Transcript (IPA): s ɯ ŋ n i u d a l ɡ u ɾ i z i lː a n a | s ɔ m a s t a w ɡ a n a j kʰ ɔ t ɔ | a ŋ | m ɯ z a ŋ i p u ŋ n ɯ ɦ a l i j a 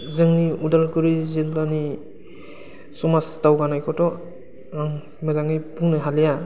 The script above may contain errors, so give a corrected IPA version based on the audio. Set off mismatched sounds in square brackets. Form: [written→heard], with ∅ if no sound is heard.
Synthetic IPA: [s→z] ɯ ŋ n i u d a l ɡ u ɾ i z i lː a n [a→i] | s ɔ m a s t a w ɡ a n a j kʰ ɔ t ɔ | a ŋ | m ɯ z a ŋ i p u ŋ n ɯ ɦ a l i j a